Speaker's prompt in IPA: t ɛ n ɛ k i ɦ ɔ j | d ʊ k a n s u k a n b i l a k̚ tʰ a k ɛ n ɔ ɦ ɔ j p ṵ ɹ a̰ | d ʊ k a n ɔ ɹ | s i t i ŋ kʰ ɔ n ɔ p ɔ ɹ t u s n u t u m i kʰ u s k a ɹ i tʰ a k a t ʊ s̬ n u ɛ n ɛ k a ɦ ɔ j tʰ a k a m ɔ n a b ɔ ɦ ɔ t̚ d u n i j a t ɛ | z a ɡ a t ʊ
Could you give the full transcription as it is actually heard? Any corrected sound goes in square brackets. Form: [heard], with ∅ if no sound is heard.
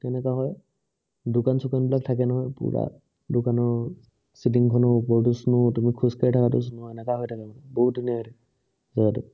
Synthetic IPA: t ɛ n ɛ k [a] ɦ ɔ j | d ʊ k a n s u k a n b i l a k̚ tʰ a k ɛ n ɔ ɦ ɔ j p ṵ ɹ a̰ | d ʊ k a n ɔ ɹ | s i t i ŋ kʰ ɔ n ɔ p ɔ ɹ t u s n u t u m i kʰ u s k a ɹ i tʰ a k a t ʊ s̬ n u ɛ n ɛ k a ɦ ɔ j tʰ a k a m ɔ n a b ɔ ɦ [u] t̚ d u n i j a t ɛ | z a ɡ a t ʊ